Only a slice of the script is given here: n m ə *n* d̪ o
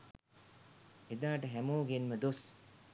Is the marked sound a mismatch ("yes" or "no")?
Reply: yes